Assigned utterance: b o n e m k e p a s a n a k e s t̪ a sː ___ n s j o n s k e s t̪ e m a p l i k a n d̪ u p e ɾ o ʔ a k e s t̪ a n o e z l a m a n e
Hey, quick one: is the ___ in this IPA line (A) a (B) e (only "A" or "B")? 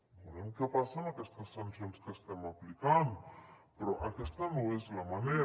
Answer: A